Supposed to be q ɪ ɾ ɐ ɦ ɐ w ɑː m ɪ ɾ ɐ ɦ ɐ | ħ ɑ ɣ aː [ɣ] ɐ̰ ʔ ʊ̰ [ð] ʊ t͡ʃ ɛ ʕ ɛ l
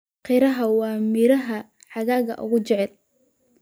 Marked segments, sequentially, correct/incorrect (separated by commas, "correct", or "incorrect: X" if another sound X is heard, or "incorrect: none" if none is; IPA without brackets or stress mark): correct, incorrect: ɣ